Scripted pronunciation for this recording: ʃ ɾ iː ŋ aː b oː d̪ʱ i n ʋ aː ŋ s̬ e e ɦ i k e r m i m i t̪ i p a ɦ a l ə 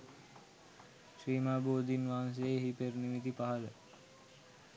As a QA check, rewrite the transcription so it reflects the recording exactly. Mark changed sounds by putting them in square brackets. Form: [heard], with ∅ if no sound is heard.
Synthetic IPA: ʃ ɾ iː [m] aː b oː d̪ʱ i n ʋ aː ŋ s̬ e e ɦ i [p] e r [n] i m i t̪ i p a ɦ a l ə